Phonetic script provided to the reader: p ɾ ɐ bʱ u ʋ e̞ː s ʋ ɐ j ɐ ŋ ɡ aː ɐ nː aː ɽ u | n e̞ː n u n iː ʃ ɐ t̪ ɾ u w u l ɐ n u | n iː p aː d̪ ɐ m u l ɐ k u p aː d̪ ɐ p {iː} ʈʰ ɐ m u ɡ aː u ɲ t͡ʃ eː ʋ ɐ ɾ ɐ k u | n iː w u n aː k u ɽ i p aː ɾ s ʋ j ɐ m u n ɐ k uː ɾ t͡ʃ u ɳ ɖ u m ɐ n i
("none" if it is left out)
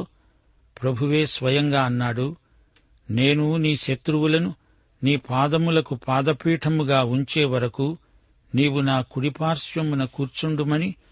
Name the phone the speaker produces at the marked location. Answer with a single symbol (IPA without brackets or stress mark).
iː